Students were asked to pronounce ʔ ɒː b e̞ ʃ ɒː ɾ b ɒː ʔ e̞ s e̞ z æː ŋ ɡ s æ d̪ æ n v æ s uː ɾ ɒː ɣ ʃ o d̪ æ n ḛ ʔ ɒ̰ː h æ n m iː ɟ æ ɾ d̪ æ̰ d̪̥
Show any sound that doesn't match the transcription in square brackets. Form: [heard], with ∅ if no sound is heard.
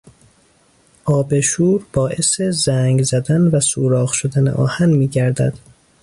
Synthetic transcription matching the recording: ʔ ɒː b e̞ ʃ [uː] ɾ b ɒː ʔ e̞ s e̞ z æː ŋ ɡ [z] æ d̪ æ n v æ s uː ɾ ɒː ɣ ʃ o d̪ æ n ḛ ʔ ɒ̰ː h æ n m iː ɟ æ ɾ d̪ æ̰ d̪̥